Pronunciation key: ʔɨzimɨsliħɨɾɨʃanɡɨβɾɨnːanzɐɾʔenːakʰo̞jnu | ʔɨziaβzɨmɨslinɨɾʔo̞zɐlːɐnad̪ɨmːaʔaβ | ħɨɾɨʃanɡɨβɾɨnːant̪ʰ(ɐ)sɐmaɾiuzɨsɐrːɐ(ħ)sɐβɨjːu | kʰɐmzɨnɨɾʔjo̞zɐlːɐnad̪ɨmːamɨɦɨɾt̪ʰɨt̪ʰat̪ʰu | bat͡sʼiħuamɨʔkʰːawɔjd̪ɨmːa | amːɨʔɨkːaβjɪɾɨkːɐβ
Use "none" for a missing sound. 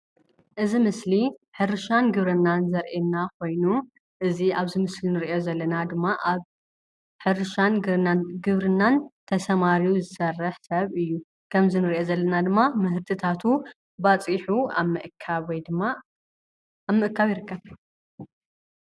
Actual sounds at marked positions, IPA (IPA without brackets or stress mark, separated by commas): ɐ, ħ